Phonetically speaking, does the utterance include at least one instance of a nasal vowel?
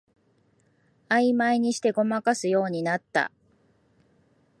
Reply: no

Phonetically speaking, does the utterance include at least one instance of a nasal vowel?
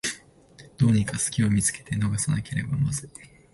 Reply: no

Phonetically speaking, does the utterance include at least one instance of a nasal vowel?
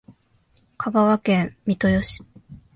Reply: yes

